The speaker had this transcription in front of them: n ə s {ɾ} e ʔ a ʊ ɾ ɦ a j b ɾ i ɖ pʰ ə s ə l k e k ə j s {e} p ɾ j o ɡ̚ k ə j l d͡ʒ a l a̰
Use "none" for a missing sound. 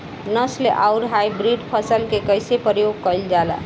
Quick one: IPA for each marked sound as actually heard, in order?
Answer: l, e

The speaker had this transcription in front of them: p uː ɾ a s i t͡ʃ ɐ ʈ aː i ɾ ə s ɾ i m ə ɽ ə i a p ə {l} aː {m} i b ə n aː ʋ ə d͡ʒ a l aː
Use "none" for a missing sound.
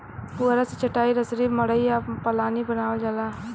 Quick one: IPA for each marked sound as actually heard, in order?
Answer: l, n

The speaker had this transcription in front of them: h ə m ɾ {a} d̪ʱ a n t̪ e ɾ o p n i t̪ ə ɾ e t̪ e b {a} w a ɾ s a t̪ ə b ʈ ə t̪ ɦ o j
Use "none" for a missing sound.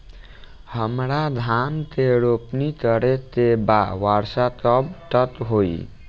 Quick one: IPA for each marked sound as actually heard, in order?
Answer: a, a

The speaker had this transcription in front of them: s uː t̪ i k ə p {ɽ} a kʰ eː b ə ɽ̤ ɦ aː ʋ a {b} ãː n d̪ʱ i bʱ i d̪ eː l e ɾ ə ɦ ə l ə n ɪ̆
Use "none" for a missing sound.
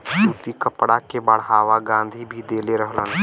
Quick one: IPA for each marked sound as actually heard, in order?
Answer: ɽ, ɡ

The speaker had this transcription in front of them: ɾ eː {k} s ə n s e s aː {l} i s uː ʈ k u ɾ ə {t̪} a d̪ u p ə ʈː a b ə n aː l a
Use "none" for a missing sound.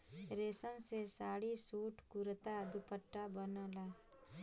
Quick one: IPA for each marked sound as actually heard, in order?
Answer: none, ɽ, t̪

